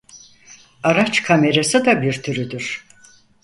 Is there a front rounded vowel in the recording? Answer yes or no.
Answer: yes